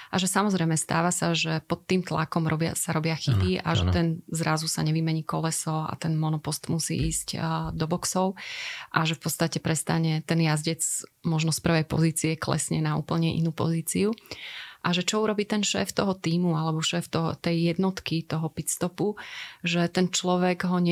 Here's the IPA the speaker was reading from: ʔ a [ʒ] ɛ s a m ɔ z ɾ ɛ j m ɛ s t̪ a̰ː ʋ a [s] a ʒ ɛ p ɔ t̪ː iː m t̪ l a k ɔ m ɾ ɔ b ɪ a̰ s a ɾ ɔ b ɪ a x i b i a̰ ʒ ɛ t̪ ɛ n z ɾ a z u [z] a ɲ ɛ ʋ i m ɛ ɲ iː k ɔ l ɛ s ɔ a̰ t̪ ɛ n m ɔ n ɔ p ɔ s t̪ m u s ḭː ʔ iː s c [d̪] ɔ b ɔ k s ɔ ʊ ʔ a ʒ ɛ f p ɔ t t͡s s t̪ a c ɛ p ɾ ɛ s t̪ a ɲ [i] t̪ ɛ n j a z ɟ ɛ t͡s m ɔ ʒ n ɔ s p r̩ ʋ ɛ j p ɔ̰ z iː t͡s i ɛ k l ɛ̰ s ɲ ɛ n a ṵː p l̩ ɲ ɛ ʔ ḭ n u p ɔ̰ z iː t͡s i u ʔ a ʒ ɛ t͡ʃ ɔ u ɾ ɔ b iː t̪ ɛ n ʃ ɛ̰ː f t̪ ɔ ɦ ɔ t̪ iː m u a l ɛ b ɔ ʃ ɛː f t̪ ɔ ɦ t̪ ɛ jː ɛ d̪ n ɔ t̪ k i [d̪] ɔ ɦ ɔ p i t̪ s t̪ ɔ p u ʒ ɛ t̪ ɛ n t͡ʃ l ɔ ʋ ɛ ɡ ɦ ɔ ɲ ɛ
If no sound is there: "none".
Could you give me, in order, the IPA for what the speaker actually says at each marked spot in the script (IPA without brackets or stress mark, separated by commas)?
ʒ, s, s, d̪, ɛ, t̪